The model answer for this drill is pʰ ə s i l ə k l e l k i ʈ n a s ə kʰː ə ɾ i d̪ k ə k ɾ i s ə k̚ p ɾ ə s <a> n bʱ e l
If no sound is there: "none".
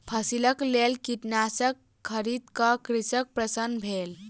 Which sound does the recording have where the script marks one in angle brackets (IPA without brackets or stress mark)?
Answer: ə